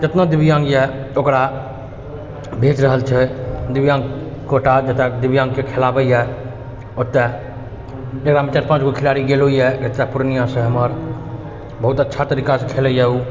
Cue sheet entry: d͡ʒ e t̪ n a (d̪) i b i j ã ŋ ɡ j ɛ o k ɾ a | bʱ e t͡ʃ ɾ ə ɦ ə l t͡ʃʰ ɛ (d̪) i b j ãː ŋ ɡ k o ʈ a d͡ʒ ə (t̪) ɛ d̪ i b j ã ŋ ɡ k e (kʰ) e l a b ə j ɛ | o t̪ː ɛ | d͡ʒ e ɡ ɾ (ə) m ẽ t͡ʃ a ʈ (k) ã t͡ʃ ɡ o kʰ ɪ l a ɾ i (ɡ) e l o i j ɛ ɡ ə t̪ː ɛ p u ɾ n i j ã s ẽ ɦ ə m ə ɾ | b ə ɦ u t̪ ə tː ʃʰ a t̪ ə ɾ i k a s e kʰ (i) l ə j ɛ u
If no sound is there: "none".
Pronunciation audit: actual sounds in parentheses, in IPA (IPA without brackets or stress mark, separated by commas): d̪, d̪, t̪, kʰ, a, p, ɡ, e